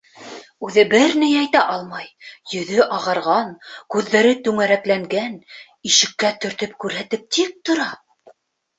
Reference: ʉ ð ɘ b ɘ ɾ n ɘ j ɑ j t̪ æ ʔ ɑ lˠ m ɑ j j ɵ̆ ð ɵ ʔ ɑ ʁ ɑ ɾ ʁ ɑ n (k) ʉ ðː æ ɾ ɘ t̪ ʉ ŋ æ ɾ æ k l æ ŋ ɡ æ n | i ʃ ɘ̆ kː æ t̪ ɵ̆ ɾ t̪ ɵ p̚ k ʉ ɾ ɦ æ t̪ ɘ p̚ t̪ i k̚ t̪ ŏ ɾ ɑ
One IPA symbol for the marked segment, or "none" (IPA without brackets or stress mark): k